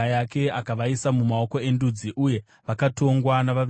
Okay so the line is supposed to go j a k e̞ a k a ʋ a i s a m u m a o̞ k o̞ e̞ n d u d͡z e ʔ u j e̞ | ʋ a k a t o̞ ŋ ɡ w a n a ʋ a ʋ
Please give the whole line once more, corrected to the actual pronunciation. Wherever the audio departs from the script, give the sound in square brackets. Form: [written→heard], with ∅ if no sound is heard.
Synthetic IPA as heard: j a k e̞ a k a ʋ a i s a m u m a o̞ k o̞ e̞ n d u d͡z [e→i] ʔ u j e̞ | ʋ a k a t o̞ ŋ ɡ w a n a ʋ a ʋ